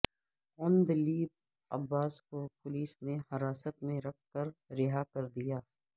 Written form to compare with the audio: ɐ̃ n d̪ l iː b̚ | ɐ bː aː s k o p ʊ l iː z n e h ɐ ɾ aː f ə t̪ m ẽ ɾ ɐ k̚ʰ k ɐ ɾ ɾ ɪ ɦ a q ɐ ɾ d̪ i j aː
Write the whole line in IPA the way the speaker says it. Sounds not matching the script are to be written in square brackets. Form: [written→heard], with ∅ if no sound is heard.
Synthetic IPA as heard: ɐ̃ n d̪ l iː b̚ | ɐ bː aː s k o p ʊ l iː [z→s] n e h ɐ ɾ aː [f→s] ə t̪ m ẽ ɾ ɐ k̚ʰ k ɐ ɾ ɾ ɪ ɦ a [q→k] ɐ ɾ d̪ i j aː